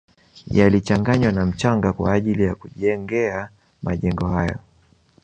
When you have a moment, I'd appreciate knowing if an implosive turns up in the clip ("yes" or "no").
yes